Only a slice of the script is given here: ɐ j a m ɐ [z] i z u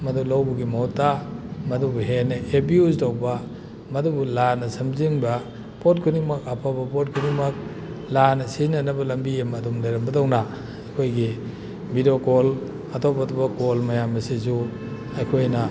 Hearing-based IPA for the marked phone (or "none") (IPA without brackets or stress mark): s